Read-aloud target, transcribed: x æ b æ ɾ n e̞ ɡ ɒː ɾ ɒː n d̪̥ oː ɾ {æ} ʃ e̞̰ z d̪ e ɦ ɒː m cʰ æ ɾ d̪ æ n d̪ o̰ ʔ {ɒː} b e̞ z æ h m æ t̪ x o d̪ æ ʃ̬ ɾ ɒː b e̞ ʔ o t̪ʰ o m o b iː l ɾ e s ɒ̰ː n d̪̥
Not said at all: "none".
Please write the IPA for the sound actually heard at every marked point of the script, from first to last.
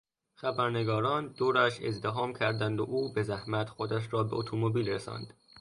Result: æ, uː

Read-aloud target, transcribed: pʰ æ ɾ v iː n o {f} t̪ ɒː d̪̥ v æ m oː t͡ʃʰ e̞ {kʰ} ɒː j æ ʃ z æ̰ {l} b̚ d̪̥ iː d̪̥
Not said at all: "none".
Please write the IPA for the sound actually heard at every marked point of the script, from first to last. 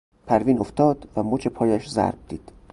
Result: f, pʰ, ɾ

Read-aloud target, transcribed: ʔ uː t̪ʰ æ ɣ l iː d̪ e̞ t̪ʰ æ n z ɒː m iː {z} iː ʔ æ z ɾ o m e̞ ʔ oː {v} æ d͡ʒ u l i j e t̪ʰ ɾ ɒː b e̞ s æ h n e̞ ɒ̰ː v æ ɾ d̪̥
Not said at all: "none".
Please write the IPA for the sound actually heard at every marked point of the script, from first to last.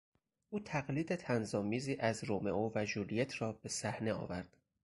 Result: z, v

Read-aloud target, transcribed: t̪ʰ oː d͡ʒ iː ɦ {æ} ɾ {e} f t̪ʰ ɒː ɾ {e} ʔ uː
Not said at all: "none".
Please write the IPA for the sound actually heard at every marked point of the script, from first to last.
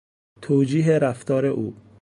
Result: e, æ, e

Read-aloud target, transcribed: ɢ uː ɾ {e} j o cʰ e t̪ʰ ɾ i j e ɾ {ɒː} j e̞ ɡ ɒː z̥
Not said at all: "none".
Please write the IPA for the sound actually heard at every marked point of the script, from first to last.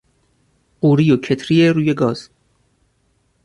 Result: i, uː

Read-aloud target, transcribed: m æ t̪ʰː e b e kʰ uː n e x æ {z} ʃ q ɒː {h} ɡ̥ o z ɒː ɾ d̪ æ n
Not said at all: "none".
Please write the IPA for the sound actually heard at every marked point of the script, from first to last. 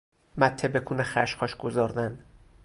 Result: none, ʃ

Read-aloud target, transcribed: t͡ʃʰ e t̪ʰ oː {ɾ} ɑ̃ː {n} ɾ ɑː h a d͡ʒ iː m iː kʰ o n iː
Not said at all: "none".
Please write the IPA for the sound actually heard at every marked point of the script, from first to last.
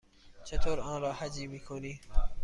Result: ɾ, n

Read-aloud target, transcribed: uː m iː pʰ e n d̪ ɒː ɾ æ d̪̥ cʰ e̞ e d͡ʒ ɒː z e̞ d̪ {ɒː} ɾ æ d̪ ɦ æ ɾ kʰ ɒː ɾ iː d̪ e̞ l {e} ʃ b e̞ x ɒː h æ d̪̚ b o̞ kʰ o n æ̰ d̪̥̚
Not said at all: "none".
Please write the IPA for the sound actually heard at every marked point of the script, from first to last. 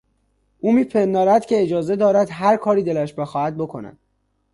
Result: ɒː, æ

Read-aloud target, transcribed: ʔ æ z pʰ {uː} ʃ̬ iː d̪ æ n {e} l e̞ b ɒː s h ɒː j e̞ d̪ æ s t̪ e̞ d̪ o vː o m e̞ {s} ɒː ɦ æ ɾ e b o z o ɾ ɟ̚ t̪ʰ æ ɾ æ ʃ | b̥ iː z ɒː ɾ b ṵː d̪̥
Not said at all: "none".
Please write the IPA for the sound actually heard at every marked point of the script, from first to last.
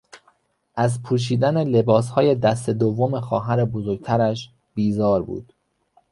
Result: uː, e, x

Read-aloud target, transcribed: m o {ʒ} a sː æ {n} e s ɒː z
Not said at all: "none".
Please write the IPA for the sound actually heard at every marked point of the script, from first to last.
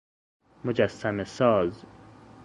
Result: d͡ʒ, m

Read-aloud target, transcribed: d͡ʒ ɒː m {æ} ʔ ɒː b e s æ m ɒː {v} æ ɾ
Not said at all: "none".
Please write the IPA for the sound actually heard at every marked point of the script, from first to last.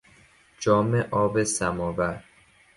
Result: e, v

